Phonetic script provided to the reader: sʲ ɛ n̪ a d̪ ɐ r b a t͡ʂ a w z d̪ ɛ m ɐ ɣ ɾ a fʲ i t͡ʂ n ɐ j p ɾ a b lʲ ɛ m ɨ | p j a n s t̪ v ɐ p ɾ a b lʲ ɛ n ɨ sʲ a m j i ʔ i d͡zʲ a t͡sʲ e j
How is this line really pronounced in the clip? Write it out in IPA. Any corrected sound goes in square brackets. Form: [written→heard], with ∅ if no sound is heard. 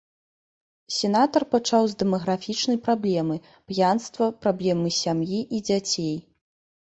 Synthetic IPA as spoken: sʲ ɛ n̪ a [d̪→t̪] ɐ r [b→p] a t͡ʂ a w z d̪ ɛ m ɐ ɣ ɾ a fʲ i t͡ʂ n ɐ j p ɾ a b lʲ ɛ m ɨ | p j a n s t̪ v ɐ p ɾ a b lʲ ɛ [n→m] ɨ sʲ a m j i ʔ i d͡zʲ a t͡sʲ e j